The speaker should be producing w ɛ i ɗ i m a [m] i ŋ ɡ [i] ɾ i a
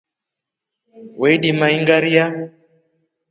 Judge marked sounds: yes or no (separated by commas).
no, no